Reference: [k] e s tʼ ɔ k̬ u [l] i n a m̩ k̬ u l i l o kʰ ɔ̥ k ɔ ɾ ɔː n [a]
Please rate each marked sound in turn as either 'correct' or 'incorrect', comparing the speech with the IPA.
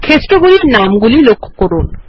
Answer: incorrect: kʰ, correct, correct

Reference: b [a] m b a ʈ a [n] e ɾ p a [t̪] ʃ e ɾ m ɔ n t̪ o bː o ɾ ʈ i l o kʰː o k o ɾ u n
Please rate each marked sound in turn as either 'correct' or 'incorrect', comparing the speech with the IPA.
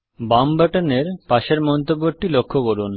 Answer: correct, correct, incorrect: none

